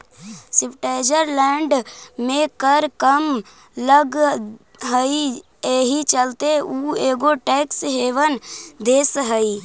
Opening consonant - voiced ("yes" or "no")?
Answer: no